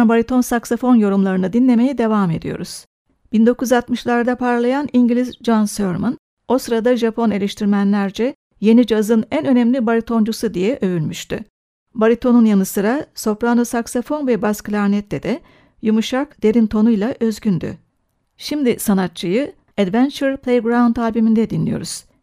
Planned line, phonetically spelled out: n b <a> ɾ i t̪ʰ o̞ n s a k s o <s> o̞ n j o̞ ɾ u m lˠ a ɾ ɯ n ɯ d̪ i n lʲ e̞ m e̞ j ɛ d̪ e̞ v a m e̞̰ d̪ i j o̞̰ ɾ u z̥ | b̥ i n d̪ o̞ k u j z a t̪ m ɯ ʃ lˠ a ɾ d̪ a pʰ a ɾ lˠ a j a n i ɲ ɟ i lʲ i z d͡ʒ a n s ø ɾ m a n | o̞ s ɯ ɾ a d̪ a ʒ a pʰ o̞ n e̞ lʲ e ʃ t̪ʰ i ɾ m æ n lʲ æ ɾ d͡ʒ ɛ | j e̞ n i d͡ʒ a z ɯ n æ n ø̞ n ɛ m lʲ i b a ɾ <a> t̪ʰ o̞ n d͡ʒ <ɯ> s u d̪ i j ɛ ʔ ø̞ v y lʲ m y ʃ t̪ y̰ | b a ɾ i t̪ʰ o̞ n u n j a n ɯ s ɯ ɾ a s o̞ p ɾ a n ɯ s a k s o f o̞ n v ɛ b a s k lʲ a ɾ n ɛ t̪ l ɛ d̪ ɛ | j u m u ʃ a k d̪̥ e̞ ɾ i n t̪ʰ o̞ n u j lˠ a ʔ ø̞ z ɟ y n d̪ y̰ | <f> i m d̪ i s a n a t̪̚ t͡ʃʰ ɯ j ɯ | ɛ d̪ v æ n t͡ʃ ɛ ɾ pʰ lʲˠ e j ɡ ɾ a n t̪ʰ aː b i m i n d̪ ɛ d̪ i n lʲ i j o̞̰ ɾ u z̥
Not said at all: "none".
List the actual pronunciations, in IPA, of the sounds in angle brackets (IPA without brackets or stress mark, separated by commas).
a, f, i, u, ʃ